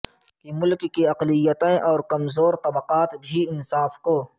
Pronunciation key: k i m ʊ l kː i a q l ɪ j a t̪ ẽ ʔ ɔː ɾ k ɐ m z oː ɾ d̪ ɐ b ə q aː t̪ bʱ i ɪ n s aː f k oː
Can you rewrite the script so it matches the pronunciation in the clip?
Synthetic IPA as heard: k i m ʊ l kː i ɐ q l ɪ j ə t̪ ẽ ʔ ɔː ɾ k ɐ m z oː ɾ t̪ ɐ b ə q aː t̪ bʱ i ɪ n s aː f k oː